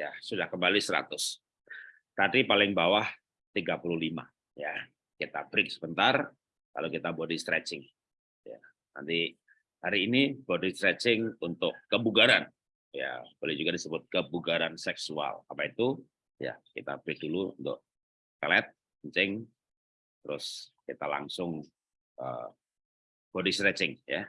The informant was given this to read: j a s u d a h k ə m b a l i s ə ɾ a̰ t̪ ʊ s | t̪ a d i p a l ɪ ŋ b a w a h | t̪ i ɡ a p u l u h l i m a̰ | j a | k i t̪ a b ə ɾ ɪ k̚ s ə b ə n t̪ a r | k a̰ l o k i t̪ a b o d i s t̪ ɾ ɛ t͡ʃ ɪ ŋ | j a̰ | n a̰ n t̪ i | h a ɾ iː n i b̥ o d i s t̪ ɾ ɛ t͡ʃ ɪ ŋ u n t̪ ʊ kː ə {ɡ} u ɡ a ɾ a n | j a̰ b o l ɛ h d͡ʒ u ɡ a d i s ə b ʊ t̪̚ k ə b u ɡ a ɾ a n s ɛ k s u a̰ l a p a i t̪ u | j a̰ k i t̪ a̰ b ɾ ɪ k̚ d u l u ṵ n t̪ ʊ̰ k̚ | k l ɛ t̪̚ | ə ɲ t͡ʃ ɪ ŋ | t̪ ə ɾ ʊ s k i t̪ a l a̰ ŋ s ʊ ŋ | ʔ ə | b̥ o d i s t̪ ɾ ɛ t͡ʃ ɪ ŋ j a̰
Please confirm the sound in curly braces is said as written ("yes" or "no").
no